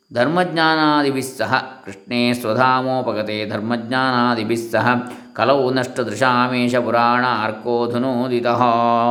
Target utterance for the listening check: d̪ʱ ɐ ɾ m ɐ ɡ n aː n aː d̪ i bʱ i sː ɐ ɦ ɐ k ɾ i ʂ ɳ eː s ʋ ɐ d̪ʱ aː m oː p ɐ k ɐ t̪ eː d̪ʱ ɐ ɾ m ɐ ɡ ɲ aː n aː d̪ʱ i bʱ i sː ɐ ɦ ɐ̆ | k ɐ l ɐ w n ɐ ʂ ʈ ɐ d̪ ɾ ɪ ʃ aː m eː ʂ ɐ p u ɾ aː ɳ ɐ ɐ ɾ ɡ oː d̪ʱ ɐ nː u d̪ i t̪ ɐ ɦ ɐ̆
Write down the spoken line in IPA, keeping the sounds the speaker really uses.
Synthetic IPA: d̪ʱ ɐ ɾ m ɐ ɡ ɲ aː n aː d̪ i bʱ i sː ɐ ɦ ɐ k ɾ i ʂ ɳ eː s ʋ ɐ d̪ʱ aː m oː p ɐ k ɐ t̪ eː d̪ʱ ɐ ɾ m ɐ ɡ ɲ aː n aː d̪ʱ i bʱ i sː ɐ ɦ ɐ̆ | k ɐ l ɐ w n ɐ ʂ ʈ ɐ d̪ ɾ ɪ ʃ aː m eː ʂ ɐ p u ɾ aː ɳ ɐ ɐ ɾ k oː d̪ʱ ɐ n u d̪ i t̪ ɐ ɦ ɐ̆